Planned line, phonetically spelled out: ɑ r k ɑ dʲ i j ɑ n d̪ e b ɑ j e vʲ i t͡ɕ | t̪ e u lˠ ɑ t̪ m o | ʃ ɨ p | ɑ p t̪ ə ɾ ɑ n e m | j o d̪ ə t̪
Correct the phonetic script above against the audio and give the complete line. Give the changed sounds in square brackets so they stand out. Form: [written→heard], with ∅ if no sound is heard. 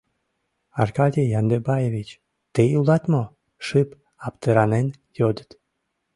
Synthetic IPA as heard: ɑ r k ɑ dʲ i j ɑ n d̪ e b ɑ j e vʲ i t͡ɕ | t̪ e u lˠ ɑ t̪ m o | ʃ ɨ p | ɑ p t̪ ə ɾ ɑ n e [m→n] | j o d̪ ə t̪